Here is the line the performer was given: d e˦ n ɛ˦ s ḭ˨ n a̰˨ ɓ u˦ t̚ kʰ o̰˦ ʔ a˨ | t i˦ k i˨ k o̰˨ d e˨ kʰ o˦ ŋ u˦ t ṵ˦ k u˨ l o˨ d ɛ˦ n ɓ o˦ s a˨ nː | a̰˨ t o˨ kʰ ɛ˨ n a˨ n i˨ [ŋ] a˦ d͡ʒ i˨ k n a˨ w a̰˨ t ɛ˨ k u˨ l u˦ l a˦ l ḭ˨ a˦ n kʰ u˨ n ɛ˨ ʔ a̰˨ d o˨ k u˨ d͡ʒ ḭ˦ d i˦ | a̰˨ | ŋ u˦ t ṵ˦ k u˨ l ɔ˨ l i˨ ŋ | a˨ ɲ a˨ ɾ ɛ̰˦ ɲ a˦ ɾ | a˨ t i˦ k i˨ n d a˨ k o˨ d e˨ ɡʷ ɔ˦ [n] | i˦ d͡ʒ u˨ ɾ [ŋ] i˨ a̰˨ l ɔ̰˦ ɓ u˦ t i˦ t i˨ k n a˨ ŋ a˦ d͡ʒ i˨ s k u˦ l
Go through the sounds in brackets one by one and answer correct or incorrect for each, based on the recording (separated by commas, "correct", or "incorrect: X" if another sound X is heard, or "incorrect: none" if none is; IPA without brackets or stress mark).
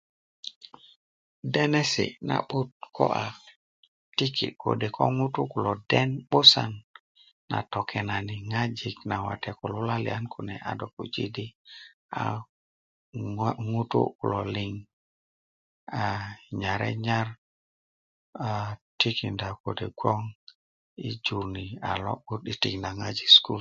correct, incorrect: ŋ, incorrect: n